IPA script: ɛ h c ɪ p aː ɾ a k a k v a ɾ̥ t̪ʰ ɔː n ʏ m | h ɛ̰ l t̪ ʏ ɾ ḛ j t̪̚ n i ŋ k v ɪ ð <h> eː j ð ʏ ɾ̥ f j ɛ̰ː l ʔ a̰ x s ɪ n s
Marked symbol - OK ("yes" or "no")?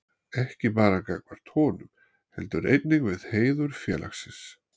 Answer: yes